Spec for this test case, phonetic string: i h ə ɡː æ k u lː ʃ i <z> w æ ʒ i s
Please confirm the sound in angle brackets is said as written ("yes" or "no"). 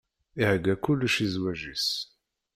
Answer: yes